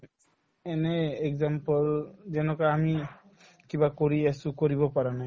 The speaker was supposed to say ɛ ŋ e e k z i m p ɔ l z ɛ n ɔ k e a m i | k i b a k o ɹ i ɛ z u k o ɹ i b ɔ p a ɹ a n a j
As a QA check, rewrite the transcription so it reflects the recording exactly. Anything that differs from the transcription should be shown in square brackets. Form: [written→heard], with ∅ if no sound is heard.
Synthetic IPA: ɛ [ŋ→n] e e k z [i→a] m p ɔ l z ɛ n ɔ k [e→a] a m i | k i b a k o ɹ i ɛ [z→s] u k o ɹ i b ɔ p a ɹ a n a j

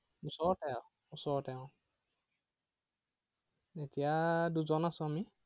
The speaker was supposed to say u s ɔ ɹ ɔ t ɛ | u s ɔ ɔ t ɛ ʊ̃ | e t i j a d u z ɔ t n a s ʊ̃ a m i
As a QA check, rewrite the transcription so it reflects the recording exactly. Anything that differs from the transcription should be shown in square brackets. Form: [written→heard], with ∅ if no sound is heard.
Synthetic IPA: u s ɔ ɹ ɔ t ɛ | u s ɔ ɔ t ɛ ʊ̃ | e t i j a d u z ɔ [t→∅] n a s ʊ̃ a m i

